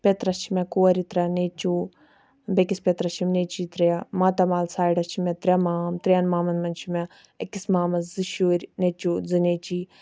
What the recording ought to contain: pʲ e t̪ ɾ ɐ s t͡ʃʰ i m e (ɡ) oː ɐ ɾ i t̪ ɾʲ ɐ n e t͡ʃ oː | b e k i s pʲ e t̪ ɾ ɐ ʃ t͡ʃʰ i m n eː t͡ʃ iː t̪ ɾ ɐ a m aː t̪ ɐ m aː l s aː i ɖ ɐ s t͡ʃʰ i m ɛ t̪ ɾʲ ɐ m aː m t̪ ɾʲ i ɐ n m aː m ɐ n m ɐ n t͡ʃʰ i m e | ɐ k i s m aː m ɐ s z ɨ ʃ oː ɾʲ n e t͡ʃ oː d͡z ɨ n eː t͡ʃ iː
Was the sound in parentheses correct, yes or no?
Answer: no